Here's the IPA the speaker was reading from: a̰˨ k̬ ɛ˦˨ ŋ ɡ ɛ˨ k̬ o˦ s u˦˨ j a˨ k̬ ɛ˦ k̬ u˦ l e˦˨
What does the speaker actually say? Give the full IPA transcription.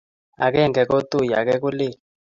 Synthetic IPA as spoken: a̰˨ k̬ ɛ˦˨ ŋ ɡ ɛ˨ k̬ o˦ t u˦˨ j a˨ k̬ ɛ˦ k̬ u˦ l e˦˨